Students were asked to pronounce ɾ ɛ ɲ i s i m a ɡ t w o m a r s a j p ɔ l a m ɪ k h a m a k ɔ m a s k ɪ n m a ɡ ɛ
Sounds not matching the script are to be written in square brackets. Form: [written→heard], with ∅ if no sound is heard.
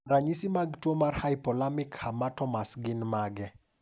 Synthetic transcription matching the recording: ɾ [ɛ→a] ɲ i s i m a ɡ t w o m a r [s→h] a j p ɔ l a m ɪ k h a m a [k→t] ɔ m a s [k→ɡ] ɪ n m a ɡ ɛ